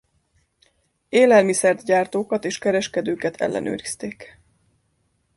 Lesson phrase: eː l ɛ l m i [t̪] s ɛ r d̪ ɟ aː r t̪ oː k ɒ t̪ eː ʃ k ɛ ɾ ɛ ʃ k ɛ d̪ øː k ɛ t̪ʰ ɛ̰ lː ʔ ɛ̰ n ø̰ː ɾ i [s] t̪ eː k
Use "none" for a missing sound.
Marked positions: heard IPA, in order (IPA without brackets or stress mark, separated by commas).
none, s